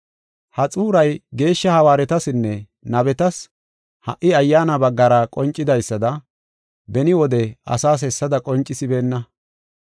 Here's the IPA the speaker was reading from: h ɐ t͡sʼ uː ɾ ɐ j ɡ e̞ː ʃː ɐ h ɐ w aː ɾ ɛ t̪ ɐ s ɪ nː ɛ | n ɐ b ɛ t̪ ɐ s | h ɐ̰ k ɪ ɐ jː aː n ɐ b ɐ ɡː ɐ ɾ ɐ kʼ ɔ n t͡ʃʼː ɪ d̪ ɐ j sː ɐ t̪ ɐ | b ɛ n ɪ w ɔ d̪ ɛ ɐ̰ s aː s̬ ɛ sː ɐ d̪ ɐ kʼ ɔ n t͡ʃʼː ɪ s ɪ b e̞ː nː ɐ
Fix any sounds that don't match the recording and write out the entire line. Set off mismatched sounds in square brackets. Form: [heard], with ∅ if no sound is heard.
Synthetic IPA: h ɐ t͡sʼ uː ɾ ɐ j ɡ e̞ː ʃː ɐ h ɐ w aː ɾ ɛ t̪ ɐ s ɪ nː ɛ | n ɐ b ɛ t̪ ɐ s | h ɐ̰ [ʔ] ɪ ɐ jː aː n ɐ b ɐ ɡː ɐ ɾ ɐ kʼ ɔ n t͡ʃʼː ɪ d̪ ɐ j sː ɐ [d̪] ɐ | b ɛ n ɪ w ɔ d̪ ɛ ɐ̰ s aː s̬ ɛ sː ɐ d̪ ɐ kʼ ɔ n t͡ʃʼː ɪ s ɪ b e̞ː nː ɐ